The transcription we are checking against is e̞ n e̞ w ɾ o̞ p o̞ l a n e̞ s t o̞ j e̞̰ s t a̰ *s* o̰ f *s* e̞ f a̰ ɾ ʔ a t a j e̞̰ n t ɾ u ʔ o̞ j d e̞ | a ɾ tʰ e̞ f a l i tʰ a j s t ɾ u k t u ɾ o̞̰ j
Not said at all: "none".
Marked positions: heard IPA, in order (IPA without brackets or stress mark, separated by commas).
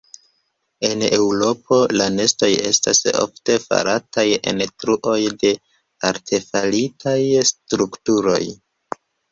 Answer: s, t